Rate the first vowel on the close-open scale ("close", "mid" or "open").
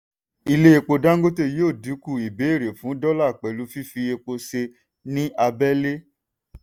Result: close